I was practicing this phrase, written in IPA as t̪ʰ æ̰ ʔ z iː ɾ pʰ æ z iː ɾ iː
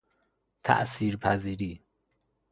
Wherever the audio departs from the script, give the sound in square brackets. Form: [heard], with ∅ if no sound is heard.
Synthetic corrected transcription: t̪ʰ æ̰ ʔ [s] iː ɾ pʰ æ z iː ɾ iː